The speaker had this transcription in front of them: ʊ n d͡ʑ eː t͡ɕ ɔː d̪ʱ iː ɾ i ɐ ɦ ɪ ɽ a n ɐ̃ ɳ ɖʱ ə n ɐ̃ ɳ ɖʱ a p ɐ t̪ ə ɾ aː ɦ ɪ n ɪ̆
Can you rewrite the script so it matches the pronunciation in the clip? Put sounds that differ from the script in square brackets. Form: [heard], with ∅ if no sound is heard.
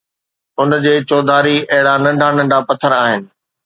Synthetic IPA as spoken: ʊ n d͡ʑ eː t͡ɕ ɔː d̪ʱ [aː] ɾ i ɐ ɦ ɪ ɽ a n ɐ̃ ɳ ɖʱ [a] n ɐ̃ ɳ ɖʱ a p ɐ [t̪ʰ] ə ɾ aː ɦ ɪ n ɪ̆